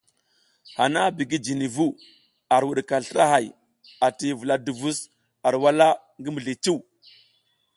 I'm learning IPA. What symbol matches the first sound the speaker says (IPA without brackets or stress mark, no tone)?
h